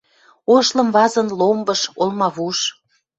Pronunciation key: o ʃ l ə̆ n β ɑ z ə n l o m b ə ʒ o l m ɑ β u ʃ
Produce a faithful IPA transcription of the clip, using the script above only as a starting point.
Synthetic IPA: o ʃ l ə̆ m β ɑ z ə n l o m b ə ʃ o l m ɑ β u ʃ